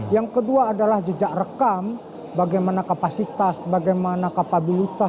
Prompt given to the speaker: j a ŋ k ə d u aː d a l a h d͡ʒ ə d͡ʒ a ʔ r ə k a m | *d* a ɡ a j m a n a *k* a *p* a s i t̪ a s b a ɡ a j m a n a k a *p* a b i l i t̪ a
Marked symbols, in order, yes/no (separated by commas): no, yes, yes, yes